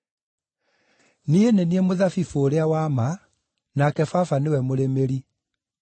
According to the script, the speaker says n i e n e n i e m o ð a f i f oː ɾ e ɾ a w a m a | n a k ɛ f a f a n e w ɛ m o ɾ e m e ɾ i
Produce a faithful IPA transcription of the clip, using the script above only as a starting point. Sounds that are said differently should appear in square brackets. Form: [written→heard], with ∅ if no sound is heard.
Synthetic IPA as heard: n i e n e n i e m o ð a f i f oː ɾ e [ɾ→∅] a w a m a | n a k ɛ f a f a n e w ɛ m o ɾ e m e ɾ i

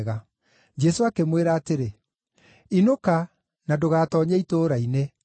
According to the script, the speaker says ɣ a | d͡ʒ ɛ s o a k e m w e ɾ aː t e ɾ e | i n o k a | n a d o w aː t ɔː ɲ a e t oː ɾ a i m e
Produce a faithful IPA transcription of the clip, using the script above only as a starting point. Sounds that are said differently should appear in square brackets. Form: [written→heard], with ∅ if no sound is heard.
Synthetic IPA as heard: ɣ a | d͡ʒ ɛ s o a k e m w e ɾ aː t e ɾ e | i n o k a | n a d o [w→ɣ] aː t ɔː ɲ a [e→i] t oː ɾ a i [m→n] e

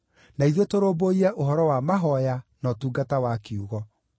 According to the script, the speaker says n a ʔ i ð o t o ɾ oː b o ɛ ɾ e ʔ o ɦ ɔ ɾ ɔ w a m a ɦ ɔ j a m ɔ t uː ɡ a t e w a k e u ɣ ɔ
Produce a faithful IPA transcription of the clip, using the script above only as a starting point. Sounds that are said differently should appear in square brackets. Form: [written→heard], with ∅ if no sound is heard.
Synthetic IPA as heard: n a [ʔ→∅] i ð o t o ɾ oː b o [ɛ→i] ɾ [e→ɛ] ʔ o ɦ ɔ ɾ ɔ w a m a ɦ ɔ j a [m→n] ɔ t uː ɡ a t [e→a] w a k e u ɣ ɔ

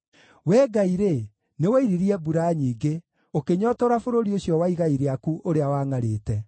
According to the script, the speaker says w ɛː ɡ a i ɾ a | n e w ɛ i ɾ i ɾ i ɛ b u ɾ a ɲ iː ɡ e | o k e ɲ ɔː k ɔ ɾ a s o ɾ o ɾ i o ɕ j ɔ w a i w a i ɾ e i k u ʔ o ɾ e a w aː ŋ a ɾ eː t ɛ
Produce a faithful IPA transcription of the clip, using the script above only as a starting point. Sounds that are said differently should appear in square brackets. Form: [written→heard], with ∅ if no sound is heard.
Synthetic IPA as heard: w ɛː ɡ a i ɾ [a→e] | n e w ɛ i ɾ i ɾ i ɛ b u ɾ a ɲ iː ɡ e | o k e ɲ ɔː [k→t] ɔ ɾ a [s→f] o ɾ o ɾ i o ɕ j ɔ w a i [w→ɣ] a i ɾ e [i→a] k u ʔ o ɾ e a w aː ŋ a ɾ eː t ɛ

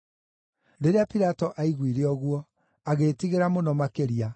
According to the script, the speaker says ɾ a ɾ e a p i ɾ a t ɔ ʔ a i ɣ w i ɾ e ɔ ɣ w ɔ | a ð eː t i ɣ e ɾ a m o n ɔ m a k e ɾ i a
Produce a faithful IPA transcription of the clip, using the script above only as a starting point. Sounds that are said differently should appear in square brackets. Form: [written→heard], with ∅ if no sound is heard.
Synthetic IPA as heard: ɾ [a→e] ɾ e a p i ɾ a t ɔ ʔ a i ɣ w i ɾ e ɔ ɣ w ɔ | a [ð→ɣ] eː t i ɣ e ɾ a m o n ɔ m a k e ɾ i a

